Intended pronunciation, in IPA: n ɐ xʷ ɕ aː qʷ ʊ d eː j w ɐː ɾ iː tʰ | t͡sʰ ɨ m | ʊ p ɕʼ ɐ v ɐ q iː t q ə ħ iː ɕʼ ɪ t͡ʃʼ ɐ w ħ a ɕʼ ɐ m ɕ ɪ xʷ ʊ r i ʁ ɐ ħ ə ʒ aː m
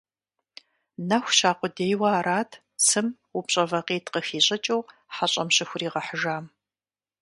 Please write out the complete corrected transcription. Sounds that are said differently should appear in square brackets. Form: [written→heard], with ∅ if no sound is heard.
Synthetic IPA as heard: n ɐ xʷ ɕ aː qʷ ʊ d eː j w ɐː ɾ [iː→aː] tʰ | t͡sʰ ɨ m | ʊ p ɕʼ ɐ v ɐ q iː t q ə [ħ→x] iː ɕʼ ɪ t͡ʃʼ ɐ w ħ a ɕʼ ɐ m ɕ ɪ xʷ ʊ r [i→iː] ʁ ɐ ħ ə ʒ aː m

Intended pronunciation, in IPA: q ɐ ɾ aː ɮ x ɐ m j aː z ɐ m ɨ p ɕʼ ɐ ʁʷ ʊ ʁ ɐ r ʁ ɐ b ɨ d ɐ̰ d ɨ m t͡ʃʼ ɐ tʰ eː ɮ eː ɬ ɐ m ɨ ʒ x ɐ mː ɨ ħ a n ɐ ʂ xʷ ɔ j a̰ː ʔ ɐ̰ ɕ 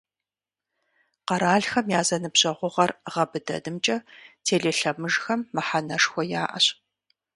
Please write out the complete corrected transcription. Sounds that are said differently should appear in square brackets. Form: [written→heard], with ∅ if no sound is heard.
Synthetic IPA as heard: q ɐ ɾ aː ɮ x ɐ m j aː z ɐ [m→n] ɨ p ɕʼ ɐ ʁʷ ʊ ʁ ɐ r ʁ ɐ b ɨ d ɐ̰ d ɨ m t͡ʃʼ ɐ tʰ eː ɮ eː ɬ ɐ m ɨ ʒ x ɐ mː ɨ ħ a n ɐ ʂ xʷ ɔ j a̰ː ʔ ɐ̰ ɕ

